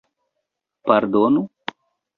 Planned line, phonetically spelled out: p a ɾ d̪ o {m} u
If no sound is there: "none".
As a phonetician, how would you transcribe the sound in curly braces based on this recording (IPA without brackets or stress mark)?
n